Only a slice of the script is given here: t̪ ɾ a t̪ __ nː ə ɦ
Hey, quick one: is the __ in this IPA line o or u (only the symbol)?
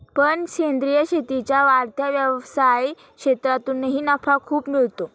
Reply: u